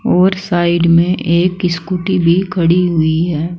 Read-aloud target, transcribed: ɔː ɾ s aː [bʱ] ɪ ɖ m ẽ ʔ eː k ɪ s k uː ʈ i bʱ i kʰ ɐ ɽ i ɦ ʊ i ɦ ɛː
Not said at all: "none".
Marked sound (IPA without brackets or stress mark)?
none